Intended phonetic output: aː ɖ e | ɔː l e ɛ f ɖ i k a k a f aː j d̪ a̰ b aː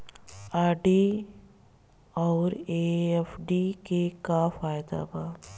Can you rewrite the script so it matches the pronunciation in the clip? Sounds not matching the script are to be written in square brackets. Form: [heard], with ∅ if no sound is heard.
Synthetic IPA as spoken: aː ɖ [i] | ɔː [ɾ] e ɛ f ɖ i k [e] k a f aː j d̪ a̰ b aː